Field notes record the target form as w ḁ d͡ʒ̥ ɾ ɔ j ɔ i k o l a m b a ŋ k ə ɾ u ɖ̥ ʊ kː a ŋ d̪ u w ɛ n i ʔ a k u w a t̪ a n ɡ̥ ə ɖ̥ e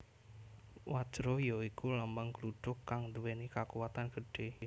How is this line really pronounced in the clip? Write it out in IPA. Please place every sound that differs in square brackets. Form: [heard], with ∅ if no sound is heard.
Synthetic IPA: w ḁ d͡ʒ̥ ɾ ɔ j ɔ i k [u] l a m b a ŋ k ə [l] u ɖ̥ ʊ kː a ŋ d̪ u w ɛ n i [k] a k u w a t̪ a n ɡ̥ ə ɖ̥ e